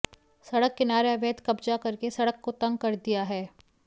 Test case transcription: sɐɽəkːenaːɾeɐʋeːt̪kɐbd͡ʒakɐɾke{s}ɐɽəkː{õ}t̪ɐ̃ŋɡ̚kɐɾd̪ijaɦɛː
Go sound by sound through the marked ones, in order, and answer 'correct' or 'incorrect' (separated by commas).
correct, incorrect